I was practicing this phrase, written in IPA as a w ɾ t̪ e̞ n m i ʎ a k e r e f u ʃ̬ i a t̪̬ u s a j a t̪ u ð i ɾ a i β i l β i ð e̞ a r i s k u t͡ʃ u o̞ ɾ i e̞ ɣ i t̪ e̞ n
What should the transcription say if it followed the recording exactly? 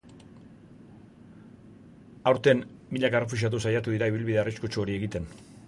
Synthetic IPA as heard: a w ɾ t̪ e̞ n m i ʎ a k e r e f u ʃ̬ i a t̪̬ u s a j a t̪ u ð i ɾ a i β i l β i ð e̞ a r i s k u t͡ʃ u o̞ ɾ i e̞ ɣ i t̪ e̞ n